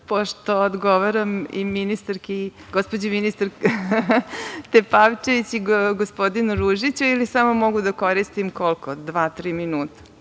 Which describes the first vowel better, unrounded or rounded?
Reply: rounded